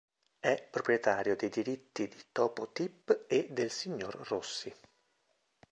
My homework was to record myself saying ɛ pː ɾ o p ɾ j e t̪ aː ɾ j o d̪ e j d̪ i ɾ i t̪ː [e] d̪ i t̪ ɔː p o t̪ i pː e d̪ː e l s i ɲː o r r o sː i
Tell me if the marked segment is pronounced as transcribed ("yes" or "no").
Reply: no